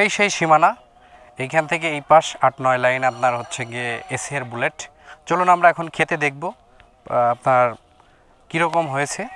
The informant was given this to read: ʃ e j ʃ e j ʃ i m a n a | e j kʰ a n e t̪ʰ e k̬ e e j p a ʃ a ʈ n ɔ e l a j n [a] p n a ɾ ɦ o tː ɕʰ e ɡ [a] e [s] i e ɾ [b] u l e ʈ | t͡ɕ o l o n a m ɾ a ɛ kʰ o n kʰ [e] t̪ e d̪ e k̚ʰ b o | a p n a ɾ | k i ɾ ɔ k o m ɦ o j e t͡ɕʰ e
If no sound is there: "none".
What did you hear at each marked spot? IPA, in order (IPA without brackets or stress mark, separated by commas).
a, e, s, b, e